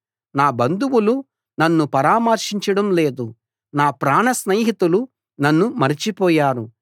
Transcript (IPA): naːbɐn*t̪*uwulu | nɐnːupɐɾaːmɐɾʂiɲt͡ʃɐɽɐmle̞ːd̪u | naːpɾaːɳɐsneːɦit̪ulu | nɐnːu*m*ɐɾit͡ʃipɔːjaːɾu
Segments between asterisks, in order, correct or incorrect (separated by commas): incorrect, correct